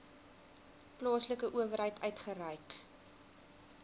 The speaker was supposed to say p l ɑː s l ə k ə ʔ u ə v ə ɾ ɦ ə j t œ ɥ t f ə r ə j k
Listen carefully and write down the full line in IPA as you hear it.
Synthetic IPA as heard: p l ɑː s l ə k ə ʔ u ə v ə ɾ ɦ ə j t œ ɥ t χ ə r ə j k